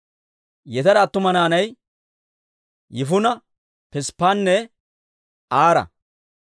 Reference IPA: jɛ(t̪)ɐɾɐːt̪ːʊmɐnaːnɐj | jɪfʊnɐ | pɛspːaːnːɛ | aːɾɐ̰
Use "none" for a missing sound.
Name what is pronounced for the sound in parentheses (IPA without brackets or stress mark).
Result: t̪